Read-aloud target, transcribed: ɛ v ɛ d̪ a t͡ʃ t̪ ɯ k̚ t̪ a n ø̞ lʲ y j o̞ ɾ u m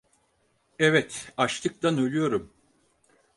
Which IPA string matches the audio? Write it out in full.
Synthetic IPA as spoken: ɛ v ɛ t̪ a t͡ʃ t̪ ɯ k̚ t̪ a n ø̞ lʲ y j o̞ ɾ u m